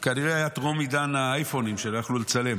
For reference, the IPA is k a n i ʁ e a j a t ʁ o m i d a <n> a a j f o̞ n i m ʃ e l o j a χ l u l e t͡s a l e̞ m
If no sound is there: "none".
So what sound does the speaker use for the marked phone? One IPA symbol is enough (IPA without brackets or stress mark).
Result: n